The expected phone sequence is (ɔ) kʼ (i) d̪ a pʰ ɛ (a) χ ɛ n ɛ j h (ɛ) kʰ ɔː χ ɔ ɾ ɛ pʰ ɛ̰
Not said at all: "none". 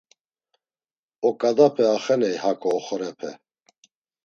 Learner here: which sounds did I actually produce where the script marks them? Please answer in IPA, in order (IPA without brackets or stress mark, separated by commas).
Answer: ɔ, a, a, a